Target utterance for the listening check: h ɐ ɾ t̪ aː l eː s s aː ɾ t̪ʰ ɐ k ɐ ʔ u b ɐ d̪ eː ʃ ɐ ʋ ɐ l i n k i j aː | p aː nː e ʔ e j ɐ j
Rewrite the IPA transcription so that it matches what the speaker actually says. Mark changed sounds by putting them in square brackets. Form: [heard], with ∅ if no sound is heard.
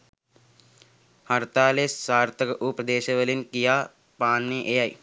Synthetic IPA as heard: h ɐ ɾ t̪ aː l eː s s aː ɾ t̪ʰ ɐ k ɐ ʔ u [p] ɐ d̪ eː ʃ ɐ ʋ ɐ l i n k i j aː | p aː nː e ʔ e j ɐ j